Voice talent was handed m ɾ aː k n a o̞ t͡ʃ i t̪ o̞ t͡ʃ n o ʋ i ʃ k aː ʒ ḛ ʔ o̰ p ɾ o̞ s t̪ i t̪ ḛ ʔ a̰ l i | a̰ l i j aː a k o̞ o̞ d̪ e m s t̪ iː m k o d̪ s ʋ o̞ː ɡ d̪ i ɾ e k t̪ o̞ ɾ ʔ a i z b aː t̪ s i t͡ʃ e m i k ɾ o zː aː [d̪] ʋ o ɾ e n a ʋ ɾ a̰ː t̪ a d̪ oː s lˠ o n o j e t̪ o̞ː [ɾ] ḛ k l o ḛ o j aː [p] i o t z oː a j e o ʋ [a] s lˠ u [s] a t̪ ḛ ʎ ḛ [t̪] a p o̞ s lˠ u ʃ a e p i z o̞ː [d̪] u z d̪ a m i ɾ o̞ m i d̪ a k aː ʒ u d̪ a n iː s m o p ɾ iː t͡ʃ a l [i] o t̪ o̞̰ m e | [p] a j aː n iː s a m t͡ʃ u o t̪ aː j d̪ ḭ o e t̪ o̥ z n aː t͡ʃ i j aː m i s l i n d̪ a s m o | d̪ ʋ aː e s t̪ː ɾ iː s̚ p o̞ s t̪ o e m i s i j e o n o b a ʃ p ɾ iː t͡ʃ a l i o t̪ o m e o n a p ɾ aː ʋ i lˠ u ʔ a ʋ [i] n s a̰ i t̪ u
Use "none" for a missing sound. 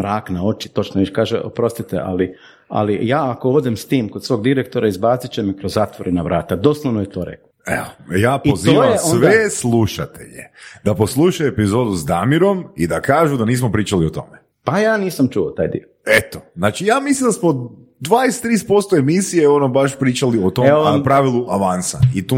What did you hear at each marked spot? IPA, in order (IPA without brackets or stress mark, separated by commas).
t̪, ɾ, p, e, ʃ, d̪, d̪, i, p, a